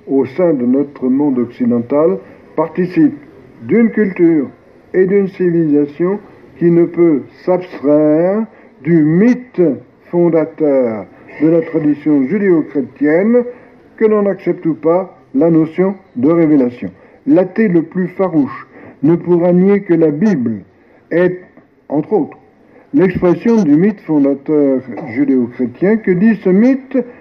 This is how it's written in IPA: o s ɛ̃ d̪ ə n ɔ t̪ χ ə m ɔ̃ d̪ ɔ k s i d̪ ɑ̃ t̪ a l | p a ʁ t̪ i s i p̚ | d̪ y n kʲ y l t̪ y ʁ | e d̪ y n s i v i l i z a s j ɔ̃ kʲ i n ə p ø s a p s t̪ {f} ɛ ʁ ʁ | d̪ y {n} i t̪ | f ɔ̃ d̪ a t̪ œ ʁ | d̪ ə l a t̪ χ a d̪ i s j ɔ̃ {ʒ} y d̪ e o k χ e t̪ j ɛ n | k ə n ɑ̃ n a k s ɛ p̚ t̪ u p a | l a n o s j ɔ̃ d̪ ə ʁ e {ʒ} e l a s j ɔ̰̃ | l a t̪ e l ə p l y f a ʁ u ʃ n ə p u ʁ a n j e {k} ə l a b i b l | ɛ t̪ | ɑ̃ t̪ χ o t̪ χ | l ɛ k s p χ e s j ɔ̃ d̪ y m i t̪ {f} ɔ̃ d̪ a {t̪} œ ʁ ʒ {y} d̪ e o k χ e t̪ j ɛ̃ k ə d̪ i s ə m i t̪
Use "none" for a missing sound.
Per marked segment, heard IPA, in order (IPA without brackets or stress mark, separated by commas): χ, m, ʒ, v, k, f, t̪, y